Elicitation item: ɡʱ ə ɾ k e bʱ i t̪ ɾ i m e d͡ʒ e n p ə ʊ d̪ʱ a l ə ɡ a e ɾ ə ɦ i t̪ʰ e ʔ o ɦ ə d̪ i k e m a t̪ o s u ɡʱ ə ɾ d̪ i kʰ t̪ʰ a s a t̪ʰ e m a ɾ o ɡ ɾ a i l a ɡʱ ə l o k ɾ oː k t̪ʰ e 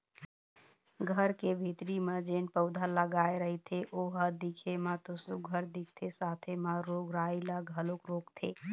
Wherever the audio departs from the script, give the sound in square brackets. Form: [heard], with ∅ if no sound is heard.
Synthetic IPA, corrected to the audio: ɡʱ ə ɾ k e bʱ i t̪ ɾ i m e d͡ʒ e n p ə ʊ d̪ʱ a l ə ɡ a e ɾ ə ɦ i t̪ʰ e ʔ o ɦ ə d̪ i [kʰ] e m a t̪ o s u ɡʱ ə ɾ d̪ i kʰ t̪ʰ [e] s a t̪ʰ e m a ɾ o ɡ ɾ a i l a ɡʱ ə l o k ɾ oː k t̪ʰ e